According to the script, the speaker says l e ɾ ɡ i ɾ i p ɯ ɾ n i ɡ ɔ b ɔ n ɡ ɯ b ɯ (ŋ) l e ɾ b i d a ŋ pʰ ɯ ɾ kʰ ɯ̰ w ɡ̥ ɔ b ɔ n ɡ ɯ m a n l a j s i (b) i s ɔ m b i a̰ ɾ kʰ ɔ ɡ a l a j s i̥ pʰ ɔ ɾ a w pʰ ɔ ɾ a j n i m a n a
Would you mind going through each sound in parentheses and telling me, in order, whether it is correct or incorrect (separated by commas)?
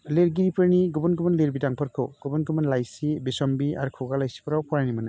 incorrect, correct